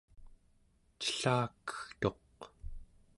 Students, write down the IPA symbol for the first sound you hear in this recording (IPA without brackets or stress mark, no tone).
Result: t͡ʃ